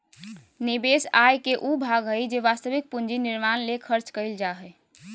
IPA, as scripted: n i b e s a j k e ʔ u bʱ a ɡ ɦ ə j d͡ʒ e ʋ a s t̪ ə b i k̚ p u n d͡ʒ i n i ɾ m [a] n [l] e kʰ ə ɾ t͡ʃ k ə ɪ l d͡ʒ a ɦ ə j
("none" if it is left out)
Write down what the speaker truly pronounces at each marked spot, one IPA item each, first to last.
a, l

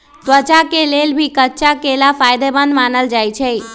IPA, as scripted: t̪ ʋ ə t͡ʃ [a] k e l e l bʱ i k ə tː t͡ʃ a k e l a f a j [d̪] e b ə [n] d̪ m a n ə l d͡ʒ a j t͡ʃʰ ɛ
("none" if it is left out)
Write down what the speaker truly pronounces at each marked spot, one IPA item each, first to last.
a, d̪, n

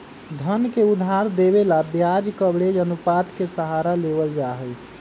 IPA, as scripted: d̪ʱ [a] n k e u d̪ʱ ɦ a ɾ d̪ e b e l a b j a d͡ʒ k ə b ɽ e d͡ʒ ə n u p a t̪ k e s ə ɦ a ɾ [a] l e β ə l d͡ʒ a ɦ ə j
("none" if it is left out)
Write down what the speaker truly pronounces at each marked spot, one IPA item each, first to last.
ə, a

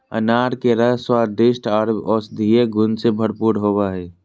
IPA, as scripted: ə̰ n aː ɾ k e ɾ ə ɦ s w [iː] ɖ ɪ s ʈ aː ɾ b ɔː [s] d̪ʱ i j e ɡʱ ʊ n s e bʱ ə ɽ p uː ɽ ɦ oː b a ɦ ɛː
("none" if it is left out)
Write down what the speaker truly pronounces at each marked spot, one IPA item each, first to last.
aː, s

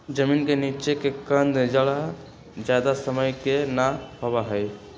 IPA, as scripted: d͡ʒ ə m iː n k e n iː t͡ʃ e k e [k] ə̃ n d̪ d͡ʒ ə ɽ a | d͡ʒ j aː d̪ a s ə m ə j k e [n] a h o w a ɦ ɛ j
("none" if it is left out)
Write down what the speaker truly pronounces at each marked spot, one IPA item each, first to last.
k, n

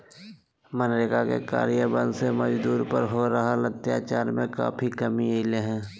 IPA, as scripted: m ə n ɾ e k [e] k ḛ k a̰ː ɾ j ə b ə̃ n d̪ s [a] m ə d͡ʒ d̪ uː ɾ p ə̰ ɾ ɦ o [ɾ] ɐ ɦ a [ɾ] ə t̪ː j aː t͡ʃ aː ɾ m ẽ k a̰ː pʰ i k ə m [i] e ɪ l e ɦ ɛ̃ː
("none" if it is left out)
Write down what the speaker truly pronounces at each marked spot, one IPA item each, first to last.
a, e, ɾ, l, i

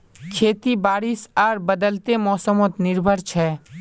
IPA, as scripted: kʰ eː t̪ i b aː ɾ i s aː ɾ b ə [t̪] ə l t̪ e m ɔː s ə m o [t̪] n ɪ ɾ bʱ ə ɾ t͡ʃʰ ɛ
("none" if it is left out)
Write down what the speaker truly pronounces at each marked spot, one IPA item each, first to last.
d̪, t̪

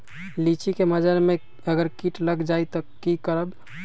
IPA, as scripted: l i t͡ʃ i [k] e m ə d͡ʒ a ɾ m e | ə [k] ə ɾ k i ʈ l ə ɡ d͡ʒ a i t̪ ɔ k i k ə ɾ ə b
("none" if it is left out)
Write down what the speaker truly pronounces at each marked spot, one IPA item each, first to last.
k, ɡ

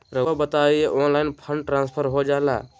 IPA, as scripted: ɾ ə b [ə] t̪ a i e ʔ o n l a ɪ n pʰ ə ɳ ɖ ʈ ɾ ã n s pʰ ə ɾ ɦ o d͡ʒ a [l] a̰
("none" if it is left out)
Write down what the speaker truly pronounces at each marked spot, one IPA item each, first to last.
ə, l

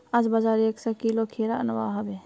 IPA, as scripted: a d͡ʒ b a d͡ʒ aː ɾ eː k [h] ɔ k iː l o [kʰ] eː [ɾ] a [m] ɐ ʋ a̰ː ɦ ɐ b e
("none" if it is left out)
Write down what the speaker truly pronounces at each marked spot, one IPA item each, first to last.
s, kʰ, ɾ, n

